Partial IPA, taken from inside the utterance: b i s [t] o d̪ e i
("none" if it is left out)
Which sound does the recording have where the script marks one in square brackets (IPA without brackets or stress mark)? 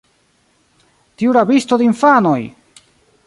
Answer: t